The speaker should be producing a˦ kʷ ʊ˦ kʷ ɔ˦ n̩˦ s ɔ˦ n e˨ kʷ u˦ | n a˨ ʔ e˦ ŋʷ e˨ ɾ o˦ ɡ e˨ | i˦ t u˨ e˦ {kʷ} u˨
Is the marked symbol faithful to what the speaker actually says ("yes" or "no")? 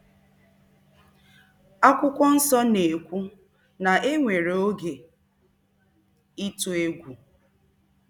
no